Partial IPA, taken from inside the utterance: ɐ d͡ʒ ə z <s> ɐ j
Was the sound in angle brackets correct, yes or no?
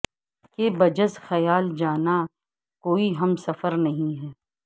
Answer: no